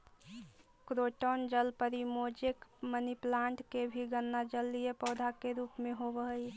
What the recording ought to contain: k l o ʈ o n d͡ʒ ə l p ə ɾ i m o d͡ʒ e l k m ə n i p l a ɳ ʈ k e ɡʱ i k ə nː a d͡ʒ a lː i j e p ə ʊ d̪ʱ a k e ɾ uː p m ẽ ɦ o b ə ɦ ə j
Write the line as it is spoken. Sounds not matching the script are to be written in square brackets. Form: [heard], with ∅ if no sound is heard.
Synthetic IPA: k [ɾ] o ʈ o n d͡ʒ ə l p ə ɾ i m o d͡ʒ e [∅] k m ə n i p l a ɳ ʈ k e [bʱ] i [ɡ] ə nː a d͡ʒ [ə] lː i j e p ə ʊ d̪ʱ a k e ɾ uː p m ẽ ɦ o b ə ɦ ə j